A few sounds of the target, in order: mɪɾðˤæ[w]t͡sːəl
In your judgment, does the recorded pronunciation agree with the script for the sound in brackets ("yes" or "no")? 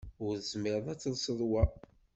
no